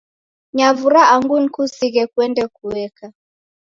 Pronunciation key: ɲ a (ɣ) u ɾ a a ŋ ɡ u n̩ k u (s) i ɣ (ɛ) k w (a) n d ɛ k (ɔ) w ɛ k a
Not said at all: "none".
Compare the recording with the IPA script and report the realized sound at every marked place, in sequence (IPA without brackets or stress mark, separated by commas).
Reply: v, s, ɛ, ɛ, u